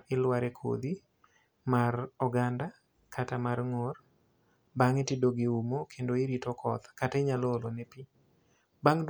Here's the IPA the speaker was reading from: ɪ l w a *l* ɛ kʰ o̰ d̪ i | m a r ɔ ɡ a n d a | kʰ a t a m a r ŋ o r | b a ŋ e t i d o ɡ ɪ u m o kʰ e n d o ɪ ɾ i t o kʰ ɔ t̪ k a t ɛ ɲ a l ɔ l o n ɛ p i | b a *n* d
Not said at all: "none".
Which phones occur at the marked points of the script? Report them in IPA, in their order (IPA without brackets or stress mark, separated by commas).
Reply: ɾ, ŋ